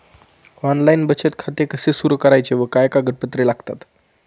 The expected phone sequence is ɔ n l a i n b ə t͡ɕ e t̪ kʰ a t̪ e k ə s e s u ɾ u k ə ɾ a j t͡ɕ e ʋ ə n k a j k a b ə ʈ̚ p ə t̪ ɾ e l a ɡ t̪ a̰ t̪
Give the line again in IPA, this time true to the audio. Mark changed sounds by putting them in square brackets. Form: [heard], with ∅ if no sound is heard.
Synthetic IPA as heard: ɔ n l a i n b ə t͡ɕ e t̪ kʰ a t̪ e k ə s e s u ɾ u k ə ɾ a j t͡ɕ e ʋ ə [∅] k a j k a [ɡ] ə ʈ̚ p ə t̪ ɾ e l a ɡ t̪ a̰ t̪